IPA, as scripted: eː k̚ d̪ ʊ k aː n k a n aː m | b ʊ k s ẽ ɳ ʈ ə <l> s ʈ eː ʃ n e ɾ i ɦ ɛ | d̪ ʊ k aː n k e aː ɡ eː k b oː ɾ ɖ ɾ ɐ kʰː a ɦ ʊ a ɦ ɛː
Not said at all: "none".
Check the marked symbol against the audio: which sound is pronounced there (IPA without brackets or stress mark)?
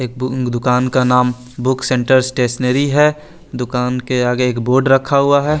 ɾ